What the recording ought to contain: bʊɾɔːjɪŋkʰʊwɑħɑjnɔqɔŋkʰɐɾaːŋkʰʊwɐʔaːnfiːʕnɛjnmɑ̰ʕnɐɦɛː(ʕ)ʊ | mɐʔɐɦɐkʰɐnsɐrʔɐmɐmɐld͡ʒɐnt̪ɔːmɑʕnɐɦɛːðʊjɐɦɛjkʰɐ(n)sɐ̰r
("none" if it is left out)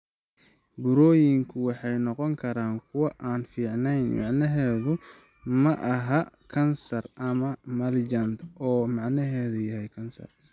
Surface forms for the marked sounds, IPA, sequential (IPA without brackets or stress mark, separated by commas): ð, n